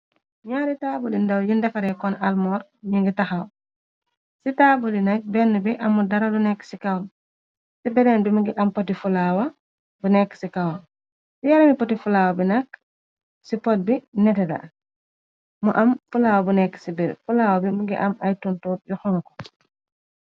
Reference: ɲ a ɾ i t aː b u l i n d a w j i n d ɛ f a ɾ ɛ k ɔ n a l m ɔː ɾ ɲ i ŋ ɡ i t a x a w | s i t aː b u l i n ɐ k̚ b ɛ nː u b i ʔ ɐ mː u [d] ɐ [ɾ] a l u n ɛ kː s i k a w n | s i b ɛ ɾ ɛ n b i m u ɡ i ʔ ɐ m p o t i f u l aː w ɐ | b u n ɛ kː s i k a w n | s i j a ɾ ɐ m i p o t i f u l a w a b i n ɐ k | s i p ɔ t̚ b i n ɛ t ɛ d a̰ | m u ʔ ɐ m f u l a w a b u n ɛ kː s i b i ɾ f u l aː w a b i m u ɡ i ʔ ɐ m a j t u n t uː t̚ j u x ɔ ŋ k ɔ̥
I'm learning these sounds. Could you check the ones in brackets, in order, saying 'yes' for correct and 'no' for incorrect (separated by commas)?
yes, yes